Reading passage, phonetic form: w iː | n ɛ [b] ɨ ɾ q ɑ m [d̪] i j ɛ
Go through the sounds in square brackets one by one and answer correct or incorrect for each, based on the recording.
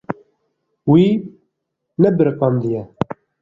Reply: correct, correct

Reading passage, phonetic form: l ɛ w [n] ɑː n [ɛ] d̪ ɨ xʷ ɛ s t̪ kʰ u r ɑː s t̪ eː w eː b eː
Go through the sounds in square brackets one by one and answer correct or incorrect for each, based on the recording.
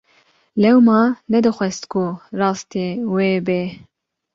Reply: incorrect: m, correct

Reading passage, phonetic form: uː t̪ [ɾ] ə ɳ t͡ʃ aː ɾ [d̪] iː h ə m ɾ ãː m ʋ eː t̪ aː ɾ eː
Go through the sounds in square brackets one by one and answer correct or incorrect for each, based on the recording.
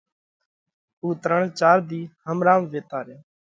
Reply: correct, correct

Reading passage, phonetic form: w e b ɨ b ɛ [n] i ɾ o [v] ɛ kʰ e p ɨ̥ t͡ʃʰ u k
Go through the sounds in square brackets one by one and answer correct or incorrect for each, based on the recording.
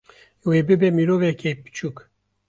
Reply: incorrect: m, correct

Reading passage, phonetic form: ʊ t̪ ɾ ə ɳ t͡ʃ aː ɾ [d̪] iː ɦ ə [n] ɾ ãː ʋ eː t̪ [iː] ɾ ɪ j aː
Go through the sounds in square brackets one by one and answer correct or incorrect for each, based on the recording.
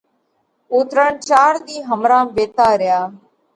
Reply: correct, incorrect: m, incorrect: aː

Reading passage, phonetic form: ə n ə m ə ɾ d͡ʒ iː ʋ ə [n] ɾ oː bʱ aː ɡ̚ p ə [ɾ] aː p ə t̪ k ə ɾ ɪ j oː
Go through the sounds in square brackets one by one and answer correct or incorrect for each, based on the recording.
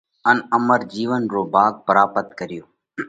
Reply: correct, correct

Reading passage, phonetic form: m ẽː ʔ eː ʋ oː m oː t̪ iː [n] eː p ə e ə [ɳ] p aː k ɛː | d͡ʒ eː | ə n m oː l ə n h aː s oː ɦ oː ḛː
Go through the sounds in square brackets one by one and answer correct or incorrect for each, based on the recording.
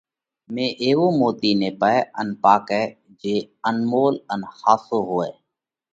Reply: correct, incorrect: n

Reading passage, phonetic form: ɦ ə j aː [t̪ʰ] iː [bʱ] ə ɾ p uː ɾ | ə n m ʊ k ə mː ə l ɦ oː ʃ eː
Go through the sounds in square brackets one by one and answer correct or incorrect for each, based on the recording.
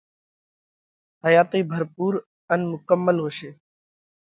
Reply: incorrect: t̪, correct

